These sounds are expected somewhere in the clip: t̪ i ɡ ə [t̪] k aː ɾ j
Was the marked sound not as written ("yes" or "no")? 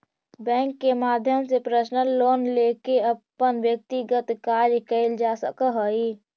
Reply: no